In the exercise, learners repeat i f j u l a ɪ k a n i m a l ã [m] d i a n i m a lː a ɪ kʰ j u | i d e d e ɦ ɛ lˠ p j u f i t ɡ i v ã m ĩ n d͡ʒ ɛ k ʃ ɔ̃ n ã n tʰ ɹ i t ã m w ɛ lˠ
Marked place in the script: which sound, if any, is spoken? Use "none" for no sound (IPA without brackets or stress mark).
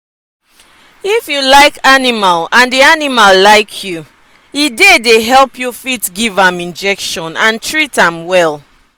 n